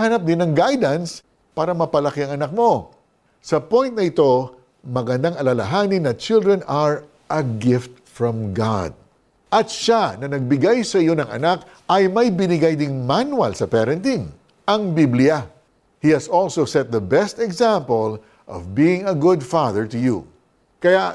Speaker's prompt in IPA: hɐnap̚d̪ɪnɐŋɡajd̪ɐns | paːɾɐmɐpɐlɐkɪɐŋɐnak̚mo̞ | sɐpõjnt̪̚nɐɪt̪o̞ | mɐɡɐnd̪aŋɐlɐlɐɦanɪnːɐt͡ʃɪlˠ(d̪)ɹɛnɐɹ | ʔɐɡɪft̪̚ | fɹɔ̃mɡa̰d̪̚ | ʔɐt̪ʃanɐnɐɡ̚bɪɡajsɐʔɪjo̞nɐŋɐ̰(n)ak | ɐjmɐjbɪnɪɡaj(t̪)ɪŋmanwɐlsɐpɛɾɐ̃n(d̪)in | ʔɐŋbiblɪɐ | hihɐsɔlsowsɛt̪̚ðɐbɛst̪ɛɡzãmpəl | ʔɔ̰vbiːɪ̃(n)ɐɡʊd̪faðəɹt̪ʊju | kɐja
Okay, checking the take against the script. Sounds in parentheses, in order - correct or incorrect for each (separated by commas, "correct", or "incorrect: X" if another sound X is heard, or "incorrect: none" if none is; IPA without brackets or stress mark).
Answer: correct, correct, incorrect: d̪, incorrect: t̪, incorrect: ŋ